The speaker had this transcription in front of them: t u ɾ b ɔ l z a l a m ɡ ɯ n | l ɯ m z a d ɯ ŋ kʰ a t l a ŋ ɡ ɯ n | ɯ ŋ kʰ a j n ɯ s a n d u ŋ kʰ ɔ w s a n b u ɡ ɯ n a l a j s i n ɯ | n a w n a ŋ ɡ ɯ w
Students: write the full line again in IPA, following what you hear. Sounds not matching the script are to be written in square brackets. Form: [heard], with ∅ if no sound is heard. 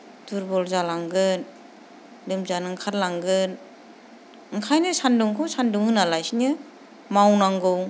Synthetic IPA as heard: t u ɾ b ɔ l z a l a [ŋ] ɡ ɯ n | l ɯ m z a [n] ɯ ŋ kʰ a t l a ŋ ɡ ɯ n | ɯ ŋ kʰ a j n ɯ s a n d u ŋ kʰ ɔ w s a n [d] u [ŋ] ɯ n a l a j s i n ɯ | [m] a w n a ŋ ɡ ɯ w